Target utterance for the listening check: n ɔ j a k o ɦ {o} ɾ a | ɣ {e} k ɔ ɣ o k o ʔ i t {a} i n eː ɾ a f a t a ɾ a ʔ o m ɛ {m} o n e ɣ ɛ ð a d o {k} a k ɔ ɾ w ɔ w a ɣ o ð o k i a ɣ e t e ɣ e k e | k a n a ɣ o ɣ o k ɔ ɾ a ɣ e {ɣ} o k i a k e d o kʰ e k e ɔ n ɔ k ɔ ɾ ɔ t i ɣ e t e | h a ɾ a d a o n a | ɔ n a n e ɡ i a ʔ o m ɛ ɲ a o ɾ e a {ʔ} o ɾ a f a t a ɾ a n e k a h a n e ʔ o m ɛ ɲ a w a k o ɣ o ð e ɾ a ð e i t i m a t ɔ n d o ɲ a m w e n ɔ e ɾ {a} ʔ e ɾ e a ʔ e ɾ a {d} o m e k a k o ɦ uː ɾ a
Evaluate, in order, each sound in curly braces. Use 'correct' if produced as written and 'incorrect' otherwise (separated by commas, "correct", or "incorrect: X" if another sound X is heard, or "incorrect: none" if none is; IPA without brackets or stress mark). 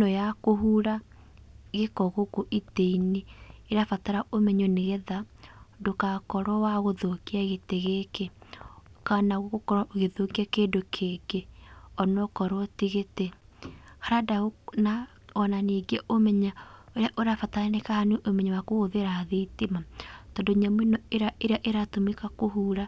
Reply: incorrect: u, correct, incorrect: e, incorrect: ɲ, correct, incorrect: ð, correct, correct, incorrect: t